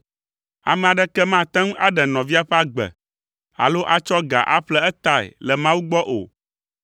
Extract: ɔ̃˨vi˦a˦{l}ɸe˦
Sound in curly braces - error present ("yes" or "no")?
yes